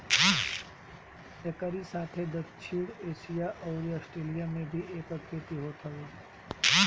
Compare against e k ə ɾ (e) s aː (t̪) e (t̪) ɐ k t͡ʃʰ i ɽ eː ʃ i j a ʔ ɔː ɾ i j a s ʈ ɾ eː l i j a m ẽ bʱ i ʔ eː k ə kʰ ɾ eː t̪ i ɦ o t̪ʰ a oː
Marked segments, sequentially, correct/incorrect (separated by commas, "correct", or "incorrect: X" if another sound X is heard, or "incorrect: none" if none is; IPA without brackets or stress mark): incorrect: i, incorrect: t̪ʰ, incorrect: d̪